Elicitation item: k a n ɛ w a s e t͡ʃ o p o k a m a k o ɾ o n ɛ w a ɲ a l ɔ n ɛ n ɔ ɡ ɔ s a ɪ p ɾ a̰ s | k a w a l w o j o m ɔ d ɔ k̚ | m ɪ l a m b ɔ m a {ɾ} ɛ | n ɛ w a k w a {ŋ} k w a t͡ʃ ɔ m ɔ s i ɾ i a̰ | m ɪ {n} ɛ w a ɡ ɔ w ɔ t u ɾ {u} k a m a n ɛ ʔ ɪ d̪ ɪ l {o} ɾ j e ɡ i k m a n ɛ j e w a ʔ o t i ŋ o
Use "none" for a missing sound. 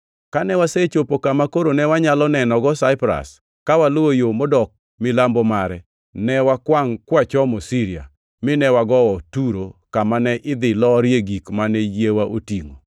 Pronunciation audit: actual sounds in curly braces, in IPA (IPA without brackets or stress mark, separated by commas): ɾ, ŋ, n, o, ɔ